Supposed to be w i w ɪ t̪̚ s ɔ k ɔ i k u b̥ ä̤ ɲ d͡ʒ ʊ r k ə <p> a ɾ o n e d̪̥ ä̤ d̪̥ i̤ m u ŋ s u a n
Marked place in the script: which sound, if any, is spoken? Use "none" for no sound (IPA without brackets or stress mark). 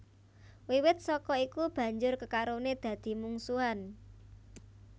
k